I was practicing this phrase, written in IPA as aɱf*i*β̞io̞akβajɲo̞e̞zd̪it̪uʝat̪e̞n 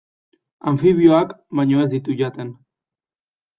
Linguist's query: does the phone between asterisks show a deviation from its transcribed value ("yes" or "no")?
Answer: no